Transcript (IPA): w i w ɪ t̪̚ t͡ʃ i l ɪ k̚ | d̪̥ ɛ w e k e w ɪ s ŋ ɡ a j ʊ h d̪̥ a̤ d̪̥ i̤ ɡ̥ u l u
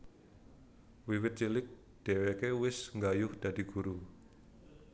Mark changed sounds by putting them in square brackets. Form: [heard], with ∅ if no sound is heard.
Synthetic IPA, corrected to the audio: w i w ɪ t̪̚ t͡ʃ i l ɪ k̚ | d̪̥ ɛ w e k e w ɪ s ŋ ɡ a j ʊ h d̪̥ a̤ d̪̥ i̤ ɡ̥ u [ɾ] u